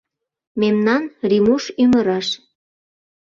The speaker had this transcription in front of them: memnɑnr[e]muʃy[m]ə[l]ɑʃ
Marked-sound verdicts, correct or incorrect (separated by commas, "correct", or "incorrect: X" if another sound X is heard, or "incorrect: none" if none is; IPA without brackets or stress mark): incorrect: i, correct, incorrect: ɾ